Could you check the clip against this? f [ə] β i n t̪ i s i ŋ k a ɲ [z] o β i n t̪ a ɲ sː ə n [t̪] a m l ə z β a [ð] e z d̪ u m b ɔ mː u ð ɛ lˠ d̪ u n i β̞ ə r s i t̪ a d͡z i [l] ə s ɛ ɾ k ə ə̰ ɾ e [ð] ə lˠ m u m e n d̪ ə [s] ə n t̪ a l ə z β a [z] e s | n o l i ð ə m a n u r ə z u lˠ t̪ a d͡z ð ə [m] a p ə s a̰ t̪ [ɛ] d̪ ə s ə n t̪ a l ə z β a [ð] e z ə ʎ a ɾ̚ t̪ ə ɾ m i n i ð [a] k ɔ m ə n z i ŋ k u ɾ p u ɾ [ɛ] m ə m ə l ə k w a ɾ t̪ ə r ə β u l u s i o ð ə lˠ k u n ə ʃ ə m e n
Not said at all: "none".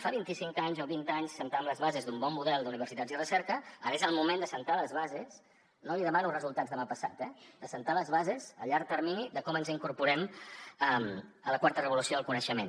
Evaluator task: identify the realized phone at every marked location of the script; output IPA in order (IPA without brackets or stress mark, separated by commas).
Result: a, z, t̪, z, r, z, s, z, m, ɛ, z, ə, ɛ